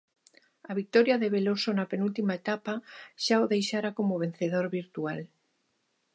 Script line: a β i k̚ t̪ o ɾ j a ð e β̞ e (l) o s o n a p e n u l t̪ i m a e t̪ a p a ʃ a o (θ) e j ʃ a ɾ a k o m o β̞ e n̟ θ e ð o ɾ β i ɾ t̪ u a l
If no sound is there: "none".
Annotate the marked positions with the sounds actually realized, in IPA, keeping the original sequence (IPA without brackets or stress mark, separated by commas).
l, ð